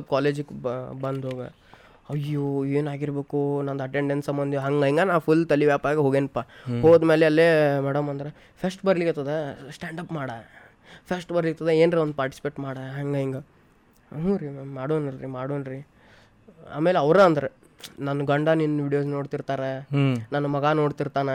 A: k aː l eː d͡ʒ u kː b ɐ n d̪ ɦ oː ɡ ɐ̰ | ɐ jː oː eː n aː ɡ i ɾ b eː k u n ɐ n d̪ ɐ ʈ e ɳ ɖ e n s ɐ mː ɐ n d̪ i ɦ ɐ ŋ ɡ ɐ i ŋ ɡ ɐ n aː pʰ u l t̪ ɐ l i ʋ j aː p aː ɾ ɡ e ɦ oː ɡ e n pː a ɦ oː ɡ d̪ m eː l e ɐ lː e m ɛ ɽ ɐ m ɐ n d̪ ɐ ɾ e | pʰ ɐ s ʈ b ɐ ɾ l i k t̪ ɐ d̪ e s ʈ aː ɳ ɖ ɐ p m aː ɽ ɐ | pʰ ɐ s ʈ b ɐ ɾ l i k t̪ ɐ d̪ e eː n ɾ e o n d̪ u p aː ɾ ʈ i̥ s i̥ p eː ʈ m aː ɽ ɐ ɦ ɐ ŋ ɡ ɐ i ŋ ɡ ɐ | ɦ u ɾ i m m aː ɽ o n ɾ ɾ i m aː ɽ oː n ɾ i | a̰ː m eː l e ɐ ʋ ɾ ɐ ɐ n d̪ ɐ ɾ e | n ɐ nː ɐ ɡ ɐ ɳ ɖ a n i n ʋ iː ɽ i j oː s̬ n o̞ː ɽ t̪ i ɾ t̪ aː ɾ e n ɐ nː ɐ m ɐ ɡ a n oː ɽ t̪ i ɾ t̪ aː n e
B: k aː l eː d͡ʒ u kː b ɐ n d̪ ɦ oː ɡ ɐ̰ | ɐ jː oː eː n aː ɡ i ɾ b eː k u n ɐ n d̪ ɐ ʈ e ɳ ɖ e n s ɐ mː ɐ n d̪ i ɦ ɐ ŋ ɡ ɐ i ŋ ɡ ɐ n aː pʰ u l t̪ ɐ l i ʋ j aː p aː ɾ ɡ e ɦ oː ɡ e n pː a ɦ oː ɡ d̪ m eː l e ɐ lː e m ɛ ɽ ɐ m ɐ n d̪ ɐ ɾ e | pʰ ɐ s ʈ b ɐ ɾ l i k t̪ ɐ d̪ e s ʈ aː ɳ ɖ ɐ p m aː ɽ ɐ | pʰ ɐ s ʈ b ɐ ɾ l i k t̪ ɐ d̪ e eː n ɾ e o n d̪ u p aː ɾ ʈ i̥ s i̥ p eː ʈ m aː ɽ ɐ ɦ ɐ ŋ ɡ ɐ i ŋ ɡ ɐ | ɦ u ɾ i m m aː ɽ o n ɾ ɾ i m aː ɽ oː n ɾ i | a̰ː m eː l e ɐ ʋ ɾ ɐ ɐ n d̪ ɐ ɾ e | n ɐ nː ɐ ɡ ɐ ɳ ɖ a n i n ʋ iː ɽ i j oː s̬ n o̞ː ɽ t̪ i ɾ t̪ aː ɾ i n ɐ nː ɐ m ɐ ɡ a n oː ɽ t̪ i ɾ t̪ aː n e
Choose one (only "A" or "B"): A